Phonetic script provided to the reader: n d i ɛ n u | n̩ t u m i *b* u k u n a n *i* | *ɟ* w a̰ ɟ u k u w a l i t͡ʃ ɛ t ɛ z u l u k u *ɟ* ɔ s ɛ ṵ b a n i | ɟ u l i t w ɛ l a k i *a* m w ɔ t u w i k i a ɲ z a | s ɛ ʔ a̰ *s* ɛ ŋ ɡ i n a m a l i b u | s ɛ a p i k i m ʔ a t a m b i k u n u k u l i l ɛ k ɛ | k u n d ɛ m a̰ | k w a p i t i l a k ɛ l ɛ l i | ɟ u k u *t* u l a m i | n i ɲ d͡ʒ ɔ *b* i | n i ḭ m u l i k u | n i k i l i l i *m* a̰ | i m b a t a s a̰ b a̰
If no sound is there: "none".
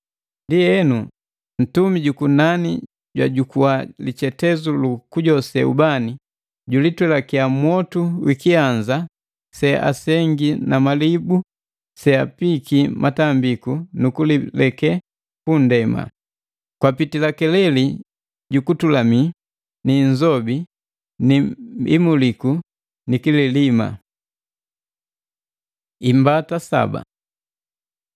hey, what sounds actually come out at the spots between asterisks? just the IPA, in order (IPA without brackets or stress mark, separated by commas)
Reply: ɟ, i, ɟ, ɟ, a, s, t, b, m